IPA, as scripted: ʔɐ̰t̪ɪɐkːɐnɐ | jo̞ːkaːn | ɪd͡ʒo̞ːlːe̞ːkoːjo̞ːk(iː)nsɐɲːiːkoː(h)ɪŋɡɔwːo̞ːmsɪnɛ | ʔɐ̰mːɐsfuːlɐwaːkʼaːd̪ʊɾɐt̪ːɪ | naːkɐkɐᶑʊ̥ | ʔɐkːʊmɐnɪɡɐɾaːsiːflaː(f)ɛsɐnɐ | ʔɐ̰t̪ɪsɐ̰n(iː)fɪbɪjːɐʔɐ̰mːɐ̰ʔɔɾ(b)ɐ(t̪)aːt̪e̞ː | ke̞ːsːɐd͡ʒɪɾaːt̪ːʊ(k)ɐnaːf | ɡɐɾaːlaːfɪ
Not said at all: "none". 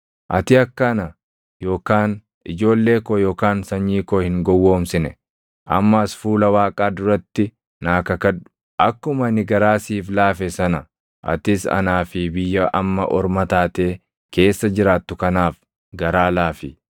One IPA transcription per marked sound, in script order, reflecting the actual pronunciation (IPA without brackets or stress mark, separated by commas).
aː, h, f, aː, m, t̪, k